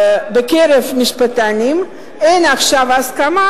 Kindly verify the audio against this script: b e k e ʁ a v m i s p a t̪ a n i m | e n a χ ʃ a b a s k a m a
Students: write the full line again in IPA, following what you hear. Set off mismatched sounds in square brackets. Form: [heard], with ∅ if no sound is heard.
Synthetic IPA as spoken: b e k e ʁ [e] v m i [ʃ] p a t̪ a n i m | e n a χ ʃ a [v] a s k a m a